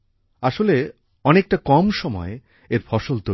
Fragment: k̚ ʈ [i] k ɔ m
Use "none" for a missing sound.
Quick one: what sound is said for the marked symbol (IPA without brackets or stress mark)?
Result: a